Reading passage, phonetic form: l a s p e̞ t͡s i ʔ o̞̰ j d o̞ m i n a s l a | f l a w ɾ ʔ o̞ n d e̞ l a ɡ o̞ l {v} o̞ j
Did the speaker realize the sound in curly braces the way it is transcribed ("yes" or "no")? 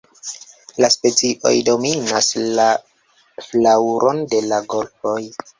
no